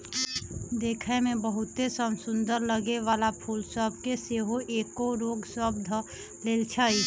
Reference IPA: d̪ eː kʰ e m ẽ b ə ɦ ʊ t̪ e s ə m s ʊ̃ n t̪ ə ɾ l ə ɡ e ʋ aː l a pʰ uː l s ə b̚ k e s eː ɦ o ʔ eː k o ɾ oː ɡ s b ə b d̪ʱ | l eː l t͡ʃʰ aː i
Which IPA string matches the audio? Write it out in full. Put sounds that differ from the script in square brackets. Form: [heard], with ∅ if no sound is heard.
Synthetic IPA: d̪ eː kʰ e m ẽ b ə ɦ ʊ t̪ e s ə m s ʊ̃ n [d̪] ə ɾ l ə ɡ e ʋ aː l a pʰ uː l s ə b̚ k e s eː ɦ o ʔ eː k o ɾ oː ɡ s [w] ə b d̪ʱ | l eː l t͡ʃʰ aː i